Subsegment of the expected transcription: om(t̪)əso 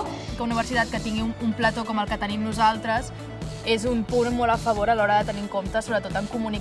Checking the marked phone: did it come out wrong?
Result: no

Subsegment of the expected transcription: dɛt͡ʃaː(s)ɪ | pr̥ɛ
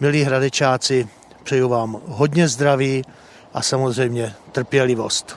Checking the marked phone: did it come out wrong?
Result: yes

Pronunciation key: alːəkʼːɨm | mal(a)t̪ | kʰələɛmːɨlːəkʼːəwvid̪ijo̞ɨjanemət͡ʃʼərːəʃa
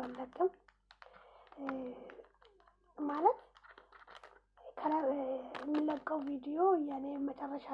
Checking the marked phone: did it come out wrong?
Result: yes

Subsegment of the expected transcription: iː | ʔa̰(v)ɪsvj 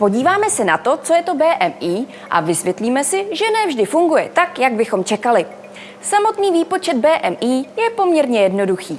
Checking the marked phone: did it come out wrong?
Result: no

